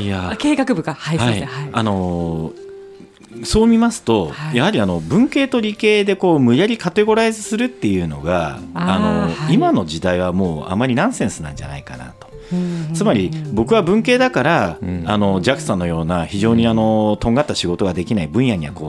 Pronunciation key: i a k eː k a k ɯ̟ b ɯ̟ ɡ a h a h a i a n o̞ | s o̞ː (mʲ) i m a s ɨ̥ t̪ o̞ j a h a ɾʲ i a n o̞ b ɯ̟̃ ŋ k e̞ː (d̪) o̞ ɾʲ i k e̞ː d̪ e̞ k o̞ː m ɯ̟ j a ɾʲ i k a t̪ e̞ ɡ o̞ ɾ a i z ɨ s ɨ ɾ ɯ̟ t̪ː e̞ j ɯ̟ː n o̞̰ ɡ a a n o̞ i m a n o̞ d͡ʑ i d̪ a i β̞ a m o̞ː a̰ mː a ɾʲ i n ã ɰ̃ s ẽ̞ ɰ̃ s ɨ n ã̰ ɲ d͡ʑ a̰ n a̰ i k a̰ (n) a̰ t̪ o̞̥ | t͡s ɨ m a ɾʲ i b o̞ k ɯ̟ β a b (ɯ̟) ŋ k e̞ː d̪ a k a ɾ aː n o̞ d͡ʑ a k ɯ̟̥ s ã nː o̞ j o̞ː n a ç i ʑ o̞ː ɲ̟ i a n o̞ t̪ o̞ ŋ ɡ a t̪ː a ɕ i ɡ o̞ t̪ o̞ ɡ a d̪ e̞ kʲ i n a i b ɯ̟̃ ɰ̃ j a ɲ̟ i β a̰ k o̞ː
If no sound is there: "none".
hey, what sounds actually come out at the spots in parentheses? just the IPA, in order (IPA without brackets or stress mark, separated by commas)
mʲ, t̪, n, ɯ̟̃